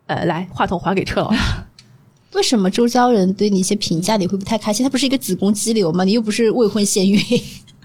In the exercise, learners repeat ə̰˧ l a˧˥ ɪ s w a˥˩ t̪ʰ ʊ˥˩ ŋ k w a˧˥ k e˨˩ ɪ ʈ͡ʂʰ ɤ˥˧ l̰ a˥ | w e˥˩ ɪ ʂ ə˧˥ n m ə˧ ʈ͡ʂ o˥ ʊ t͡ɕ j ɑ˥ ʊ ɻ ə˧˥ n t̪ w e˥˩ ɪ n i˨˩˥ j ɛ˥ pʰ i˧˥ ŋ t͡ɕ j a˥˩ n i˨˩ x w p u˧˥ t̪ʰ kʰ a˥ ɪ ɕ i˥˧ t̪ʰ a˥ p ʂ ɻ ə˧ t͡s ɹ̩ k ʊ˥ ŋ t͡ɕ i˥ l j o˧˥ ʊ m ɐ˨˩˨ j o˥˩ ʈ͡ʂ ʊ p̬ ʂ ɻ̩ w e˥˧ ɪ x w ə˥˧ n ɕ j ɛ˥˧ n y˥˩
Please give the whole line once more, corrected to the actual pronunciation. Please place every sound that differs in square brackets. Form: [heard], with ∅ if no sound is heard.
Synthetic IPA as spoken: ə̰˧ l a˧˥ ɪ [x] w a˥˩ t̪ʰ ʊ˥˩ ŋ [x] w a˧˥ k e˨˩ ɪ ʈ͡ʂʰ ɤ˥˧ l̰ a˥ | w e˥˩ ɪ ʂ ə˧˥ n m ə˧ ʈ͡ʂ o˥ ʊ t͡ɕ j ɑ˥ ʊ ɻ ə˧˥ n t̪ w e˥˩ ɪ n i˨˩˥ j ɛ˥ pʰ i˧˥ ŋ t͡ɕ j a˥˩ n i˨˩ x w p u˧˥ t̪ʰ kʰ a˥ ɪ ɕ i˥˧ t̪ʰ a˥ p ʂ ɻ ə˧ t͡s ɹ̩ k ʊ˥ ŋ t͡ɕ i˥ l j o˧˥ ʊ m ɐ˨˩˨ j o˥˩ [∅] ʊ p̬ ʂ ɻ̩ w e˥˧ ɪ x w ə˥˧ n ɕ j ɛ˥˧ n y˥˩